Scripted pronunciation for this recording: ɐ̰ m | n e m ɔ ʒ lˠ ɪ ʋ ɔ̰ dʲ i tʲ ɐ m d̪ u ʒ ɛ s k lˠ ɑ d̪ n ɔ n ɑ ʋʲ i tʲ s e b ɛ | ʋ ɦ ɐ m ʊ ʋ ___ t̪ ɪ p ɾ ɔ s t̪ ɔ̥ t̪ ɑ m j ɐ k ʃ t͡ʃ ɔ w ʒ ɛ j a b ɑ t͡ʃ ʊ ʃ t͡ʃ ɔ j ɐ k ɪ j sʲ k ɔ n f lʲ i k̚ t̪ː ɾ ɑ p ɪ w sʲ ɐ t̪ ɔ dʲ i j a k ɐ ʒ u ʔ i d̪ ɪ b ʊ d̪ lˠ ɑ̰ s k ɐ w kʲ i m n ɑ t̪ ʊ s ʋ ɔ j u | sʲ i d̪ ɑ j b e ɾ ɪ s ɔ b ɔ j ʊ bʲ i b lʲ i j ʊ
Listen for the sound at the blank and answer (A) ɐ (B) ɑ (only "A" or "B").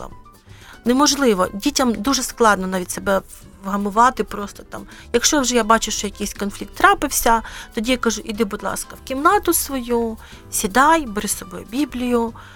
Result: B